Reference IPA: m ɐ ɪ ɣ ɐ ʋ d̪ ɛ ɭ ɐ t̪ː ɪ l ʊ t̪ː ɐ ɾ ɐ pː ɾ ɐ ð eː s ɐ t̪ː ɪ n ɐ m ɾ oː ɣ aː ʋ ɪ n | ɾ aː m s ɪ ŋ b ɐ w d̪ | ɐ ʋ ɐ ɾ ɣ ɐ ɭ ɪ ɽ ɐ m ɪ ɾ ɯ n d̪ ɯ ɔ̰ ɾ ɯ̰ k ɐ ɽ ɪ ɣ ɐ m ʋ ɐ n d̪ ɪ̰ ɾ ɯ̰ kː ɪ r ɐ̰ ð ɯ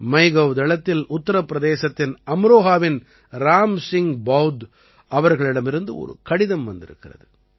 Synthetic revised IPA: m ɐ ɪ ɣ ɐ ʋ d̪ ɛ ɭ ɐ t̪ː ɪ l ʊ t̪ː ɐ ɾ ɐ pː ɾ ɐ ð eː s ɐ t̪ː ɪ n ɐ m ɾ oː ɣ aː ʋ ɪ n | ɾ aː m s ɪ ŋ b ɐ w d̪ | ɐ ʋ ɐ ɾ ɣ ɐ ɭ ɪ ɽ ɐ m ɪ ɾ ɯ n d̪ ɯ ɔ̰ ɾ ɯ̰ k ɐ ɽ ɪ ð ɐ m ʋ ɐ n d̪ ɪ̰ ɾ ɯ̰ kː ɪ r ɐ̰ ð ɯ